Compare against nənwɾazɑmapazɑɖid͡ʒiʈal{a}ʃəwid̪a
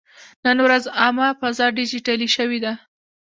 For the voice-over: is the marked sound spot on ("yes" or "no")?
no